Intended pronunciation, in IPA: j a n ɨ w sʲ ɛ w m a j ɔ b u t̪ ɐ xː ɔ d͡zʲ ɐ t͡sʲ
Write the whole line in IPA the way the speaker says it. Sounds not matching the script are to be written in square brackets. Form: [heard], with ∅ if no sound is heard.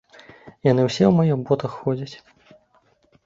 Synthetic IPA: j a n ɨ w sʲ ɛ w m a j ɔ b [ɔ] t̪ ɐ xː ɔ d͡zʲ ɐ t͡sʲ